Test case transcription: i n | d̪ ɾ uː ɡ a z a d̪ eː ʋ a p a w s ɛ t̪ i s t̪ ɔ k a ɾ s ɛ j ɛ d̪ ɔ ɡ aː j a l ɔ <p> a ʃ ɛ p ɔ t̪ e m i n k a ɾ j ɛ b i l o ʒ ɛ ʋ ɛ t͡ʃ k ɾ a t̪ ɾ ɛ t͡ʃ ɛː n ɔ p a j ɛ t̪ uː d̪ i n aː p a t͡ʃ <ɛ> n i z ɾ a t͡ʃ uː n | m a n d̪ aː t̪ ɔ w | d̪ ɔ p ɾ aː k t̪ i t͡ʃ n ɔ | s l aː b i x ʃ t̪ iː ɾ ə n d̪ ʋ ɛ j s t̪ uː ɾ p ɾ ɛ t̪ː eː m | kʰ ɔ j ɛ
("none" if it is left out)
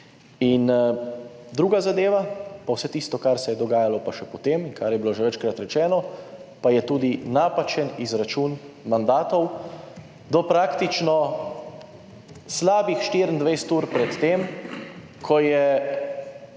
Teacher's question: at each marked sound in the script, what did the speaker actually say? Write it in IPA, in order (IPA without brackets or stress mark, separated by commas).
p, ɛ